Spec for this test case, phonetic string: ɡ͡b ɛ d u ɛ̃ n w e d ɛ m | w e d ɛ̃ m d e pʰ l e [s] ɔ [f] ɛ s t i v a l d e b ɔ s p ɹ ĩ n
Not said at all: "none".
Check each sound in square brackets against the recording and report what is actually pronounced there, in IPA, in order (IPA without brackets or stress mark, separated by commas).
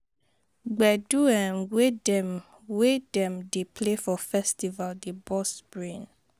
f, f